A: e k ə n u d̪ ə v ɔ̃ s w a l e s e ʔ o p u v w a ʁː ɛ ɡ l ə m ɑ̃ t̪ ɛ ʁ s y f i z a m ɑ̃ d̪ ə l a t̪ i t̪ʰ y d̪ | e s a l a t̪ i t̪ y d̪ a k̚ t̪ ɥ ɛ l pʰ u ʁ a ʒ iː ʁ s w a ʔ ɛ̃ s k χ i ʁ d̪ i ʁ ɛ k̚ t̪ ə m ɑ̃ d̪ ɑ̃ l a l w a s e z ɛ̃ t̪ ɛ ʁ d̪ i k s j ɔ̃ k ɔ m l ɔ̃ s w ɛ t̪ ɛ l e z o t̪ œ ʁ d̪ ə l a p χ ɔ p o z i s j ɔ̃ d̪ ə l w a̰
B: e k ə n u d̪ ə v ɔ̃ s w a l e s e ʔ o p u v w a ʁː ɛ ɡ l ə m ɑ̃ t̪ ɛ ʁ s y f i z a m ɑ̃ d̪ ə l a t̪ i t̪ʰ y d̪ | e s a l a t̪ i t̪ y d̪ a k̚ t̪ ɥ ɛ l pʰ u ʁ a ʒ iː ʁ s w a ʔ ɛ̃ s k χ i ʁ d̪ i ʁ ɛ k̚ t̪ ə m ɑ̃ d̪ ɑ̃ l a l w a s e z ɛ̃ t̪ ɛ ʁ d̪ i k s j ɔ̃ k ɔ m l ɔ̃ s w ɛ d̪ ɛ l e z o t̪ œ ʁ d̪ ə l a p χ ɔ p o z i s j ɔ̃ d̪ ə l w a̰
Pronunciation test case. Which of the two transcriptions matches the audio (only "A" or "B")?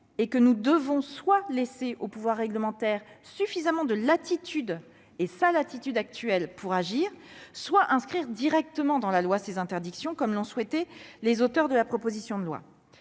A